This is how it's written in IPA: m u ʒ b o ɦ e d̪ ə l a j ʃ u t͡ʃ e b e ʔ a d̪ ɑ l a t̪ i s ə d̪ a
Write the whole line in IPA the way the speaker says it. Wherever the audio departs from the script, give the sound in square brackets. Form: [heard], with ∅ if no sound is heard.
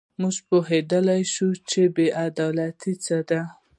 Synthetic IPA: m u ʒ [p] o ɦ e d̪ ə l a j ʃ u t͡ʃ e b e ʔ a d̪ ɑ l a t̪ i [t͡s] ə d̪ a